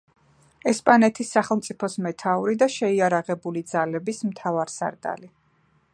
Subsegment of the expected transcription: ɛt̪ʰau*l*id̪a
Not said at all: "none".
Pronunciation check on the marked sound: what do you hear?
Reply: ɾ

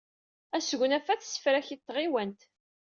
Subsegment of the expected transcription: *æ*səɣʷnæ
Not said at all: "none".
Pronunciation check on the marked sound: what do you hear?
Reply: æ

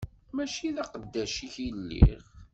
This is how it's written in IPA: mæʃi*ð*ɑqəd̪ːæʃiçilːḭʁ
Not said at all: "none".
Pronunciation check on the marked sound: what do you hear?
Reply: ð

